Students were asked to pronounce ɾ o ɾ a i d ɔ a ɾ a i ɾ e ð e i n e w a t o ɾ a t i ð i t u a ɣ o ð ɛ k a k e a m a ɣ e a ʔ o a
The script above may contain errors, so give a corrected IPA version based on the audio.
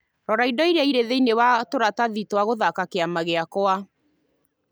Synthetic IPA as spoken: ɾ ɔ ɾ a i d ɔ i ɾ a i ɾ e ð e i n e w a t o ɾ a t a ð i t w a ɣ o ð a k a k e a m a ɣ e a k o a